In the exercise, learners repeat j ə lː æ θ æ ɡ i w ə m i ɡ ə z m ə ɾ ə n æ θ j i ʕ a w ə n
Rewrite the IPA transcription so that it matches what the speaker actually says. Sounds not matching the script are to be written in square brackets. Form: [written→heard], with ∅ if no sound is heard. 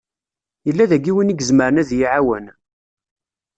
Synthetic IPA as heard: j ə lː æ [θ→ð] æ ɡ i w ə [m→n] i ɡ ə z m ə ɾ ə n æ [θ→ð] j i ʕ a w ə n